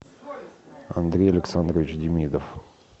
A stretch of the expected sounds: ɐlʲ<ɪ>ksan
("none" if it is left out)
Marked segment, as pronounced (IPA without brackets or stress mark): ɪ